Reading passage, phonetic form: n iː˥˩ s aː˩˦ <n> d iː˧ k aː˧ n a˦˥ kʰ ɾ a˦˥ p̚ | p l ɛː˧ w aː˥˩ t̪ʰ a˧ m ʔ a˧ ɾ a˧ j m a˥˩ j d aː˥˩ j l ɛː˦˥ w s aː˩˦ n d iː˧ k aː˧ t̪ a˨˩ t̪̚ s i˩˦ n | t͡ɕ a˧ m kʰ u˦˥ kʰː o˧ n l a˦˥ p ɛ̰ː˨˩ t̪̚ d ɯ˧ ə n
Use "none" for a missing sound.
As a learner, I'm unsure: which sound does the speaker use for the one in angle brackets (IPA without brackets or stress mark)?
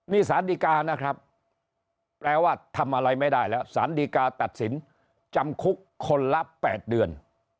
n